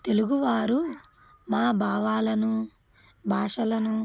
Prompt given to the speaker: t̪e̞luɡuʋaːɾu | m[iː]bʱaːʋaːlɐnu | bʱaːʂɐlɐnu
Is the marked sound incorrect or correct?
incorrect